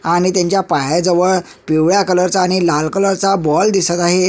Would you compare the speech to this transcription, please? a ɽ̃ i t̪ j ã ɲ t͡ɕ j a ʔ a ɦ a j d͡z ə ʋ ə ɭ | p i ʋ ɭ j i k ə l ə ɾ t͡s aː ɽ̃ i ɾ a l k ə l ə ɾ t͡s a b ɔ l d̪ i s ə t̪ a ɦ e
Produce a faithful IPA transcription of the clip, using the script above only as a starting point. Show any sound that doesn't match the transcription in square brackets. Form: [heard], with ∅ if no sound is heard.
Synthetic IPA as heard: a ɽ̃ i t̪ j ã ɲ t͡ɕ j a [p] a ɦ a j d͡z ə ʋ ə ɭ | p i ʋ ɭ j [a] k ə l ə ɾ t͡s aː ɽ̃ i [l] a l k ə l ə ɾ t͡s a b ɔ l d̪ i s ə t̪ a ɦ e